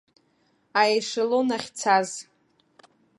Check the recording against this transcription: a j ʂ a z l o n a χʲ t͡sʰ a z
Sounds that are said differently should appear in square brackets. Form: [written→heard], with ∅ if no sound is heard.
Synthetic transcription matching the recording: a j ʂ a [z→∅] l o n a χʲ t͡sʰ a z

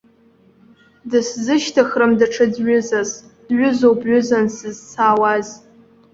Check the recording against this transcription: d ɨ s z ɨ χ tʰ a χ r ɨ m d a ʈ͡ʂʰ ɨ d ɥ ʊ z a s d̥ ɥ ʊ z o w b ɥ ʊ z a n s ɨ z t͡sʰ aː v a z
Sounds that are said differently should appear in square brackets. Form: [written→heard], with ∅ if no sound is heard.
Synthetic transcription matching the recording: d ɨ s z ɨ [χ→ʃ] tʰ a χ r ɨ m d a ʈ͡ʂʰ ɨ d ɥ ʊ z a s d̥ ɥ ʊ z o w b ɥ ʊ z a n s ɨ z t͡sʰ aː [v→w] a z

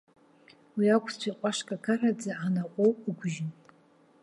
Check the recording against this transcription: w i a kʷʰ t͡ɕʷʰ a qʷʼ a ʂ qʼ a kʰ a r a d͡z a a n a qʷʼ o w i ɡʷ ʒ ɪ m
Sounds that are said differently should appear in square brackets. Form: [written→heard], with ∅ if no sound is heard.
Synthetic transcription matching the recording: w i a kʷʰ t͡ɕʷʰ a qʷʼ a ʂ [qʼ→kʼ] a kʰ a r a d͡z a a n a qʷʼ o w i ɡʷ ʒ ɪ [m→n]

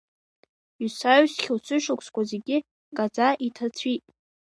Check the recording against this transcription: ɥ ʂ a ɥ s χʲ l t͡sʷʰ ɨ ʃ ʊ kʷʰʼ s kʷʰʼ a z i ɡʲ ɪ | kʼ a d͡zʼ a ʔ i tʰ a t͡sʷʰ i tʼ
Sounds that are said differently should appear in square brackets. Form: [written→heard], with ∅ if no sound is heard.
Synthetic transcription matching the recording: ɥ [ʂ→s] a ɥ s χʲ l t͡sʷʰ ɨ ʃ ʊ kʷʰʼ s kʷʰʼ a z [i→e] ɡʲ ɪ | kʼ a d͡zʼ a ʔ i tʰ a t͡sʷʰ i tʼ

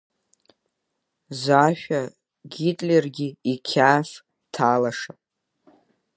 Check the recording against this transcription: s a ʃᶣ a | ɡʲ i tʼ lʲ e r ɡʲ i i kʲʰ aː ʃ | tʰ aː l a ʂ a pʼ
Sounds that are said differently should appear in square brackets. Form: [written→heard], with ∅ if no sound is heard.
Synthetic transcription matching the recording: [s→z] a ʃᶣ a | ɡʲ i tʼ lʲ e r ɡʲ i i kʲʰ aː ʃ | tʰ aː l a ʂ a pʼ

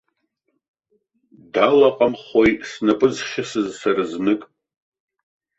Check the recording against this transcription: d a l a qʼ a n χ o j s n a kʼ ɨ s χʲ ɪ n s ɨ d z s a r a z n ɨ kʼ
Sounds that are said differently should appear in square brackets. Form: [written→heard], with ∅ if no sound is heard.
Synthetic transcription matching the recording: d a l a qʼ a [n→m] χ o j s n a [kʼ→pʼ] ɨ [s→z] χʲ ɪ [n→∅] s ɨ [d→∅] z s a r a z n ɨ kʼ

